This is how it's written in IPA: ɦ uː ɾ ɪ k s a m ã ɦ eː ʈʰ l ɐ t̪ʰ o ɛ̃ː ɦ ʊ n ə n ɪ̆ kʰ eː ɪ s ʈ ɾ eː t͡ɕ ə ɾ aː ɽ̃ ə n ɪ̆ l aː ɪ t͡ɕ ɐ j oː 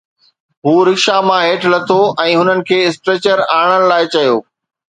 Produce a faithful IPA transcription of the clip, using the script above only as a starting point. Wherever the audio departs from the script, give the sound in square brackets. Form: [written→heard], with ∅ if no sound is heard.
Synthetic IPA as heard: ɦ uː ɾ ɪ k [s→ʃ] a m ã ɦ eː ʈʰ l ɐ t̪ʰ o ɛ̃ː ɦ ʊ n ə n ɪ̆ kʰ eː ɪ s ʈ ɾ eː t͡ɕ ə ɾ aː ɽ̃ ə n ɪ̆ l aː ɪ t͡ɕ ɐ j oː